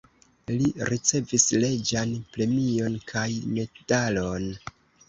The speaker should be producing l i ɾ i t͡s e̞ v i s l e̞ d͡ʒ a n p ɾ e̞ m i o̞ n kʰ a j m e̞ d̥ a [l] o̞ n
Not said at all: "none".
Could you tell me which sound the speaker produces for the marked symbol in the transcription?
l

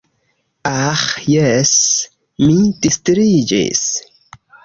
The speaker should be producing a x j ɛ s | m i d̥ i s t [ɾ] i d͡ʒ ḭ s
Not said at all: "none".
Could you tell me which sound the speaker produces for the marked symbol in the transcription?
ɾ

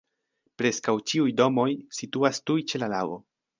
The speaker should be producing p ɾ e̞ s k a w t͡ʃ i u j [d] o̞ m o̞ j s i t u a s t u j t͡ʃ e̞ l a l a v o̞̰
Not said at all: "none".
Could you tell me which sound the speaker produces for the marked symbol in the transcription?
d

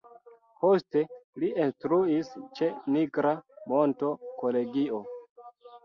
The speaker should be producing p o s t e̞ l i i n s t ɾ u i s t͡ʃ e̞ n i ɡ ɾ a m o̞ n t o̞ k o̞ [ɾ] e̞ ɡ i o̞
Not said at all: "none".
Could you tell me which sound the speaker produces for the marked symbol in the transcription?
l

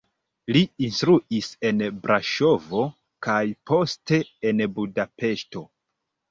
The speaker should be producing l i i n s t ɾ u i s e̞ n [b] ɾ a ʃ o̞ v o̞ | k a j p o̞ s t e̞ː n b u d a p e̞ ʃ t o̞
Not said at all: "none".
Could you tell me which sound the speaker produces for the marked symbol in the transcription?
b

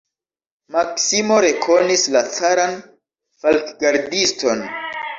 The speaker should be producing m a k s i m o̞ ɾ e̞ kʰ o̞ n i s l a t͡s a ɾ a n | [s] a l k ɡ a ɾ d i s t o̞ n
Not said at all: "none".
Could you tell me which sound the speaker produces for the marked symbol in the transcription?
f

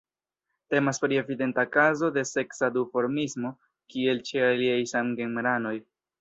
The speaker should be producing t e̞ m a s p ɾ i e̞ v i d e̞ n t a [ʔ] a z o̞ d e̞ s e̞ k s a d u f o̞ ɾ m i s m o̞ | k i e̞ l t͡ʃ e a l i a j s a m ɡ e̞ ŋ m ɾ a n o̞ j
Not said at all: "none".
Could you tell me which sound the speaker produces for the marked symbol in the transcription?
k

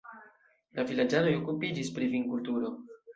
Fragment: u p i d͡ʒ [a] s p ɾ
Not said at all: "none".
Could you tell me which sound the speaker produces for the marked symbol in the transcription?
i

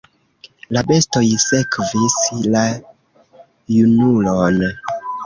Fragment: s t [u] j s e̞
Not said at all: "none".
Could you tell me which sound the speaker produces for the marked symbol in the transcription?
o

